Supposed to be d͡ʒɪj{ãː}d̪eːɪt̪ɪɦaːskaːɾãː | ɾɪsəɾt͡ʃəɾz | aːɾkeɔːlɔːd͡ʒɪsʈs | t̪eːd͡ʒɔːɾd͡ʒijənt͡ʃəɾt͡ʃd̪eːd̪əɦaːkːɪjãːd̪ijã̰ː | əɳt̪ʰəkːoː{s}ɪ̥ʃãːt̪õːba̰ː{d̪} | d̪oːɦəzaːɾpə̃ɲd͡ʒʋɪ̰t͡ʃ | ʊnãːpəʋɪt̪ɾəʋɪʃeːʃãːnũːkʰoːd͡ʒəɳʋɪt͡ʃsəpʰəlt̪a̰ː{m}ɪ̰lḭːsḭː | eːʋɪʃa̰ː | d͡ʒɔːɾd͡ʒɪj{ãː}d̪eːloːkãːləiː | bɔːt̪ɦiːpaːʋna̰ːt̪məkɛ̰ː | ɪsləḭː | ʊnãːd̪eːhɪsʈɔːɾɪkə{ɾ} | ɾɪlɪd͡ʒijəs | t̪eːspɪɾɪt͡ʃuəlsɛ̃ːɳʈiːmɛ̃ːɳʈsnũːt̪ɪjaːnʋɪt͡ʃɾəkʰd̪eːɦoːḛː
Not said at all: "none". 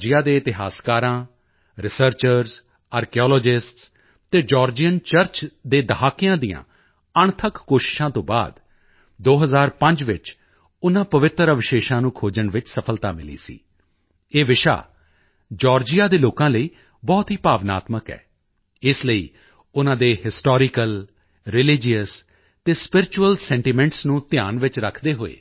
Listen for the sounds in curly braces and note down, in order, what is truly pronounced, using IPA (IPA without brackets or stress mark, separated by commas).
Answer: aː, ʃ, d̪, m, aː, l